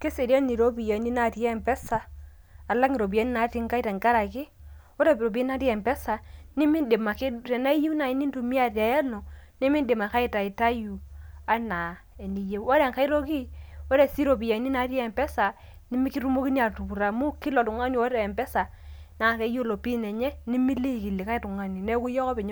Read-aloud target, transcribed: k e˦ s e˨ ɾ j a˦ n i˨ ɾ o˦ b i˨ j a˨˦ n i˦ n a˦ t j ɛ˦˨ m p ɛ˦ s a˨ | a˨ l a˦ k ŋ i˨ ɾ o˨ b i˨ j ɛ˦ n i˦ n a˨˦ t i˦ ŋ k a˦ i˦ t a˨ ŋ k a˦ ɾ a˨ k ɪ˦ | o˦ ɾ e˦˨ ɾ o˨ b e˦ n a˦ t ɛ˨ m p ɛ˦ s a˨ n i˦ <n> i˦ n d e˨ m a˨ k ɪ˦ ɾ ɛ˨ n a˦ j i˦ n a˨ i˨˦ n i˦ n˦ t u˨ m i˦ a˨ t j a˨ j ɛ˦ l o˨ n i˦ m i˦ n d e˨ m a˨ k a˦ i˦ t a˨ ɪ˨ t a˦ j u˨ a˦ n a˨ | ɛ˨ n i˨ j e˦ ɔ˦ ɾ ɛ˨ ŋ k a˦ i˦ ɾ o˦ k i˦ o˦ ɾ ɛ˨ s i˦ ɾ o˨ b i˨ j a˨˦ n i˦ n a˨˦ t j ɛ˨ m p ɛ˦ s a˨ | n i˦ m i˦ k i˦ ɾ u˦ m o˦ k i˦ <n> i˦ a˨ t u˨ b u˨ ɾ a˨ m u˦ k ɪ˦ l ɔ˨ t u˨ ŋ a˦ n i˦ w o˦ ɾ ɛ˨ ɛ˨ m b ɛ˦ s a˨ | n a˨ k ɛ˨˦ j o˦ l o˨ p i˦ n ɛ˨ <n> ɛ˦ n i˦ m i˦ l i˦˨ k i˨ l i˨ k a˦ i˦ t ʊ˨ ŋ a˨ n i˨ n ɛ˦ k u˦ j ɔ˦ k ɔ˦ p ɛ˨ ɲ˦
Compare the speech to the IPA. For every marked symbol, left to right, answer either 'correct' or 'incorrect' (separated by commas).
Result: incorrect, correct, incorrect